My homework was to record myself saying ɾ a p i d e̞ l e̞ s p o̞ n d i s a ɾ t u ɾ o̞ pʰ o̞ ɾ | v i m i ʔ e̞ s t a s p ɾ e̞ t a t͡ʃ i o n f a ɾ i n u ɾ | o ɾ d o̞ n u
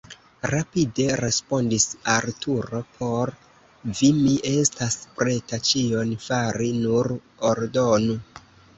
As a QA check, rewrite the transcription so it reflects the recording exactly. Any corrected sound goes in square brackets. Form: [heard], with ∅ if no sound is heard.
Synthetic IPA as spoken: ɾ a p i d e̞ [ɾ] e̞ s p o̞ n d i s a ɾ t u ɾ o̞ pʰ o̞ ɾ | v i m i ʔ e̞ s t a s p ɾ e̞ t a t͡ʃ i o n f a ɾ i n u ɾ | o ɾ d o̞ n u